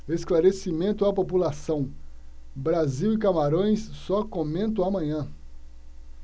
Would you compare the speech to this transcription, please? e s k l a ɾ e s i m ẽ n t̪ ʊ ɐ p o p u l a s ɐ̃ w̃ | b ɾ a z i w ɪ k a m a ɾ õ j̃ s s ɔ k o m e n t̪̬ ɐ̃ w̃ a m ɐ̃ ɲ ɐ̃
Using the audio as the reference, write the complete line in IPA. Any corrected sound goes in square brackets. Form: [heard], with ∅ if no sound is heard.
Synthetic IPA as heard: e s k l a ɾ e s i m ẽ n t̪ ʊ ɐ p o p u l a s ɐ̃ w̃ | b ɾ a z i w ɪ k a m a ɾ õ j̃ s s ɔ k o m [ẽ] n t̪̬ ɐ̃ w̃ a m ɐ̃ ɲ ɐ̃